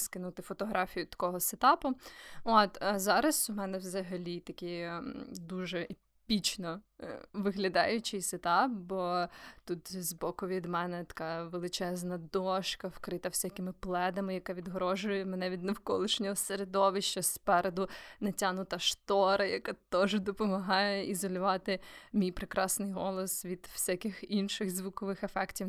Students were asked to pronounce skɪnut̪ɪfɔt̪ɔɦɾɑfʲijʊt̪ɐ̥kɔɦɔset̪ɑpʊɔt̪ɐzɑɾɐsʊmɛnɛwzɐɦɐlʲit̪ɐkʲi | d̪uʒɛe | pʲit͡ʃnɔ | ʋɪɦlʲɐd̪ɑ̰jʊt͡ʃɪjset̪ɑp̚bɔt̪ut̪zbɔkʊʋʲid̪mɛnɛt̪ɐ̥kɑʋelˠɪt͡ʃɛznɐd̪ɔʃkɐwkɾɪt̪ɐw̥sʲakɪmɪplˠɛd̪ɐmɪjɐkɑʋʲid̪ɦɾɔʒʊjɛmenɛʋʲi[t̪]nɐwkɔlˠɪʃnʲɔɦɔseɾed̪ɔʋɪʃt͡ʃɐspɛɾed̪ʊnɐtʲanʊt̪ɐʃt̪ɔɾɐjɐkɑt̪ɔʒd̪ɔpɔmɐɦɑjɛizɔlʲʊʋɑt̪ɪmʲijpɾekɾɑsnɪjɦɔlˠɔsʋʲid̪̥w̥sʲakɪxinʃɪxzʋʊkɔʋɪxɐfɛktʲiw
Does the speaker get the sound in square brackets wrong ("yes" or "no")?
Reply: yes